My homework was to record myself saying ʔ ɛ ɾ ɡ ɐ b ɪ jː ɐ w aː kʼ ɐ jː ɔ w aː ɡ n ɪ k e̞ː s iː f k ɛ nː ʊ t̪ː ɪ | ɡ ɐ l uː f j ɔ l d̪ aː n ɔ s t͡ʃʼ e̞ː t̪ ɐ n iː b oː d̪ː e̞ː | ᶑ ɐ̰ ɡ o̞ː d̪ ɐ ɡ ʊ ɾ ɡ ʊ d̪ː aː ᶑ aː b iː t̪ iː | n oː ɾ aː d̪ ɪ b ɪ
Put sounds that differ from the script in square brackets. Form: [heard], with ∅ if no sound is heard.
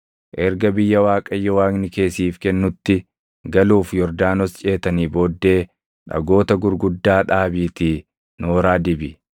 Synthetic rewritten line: ʔ ɛ ɾ ɡ ɐ b ɪ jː ɐ w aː kʼ ɐ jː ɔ w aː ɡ n ɪ k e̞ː s iː f k ɛ nː ʊ t̪ː ɪ | ɡ ɐ l uː f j ɔ [ɾ] d̪ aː n ɔ s t͡ʃʼ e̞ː t̪ ɐ n iː b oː d̪ː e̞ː | ᶑ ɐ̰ ɡ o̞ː [t̪] ɐ ɡ ʊ ɾ ɡ ʊ d̪ː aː ᶑ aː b iː t̪ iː | n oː ɾ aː d̪ ɪ b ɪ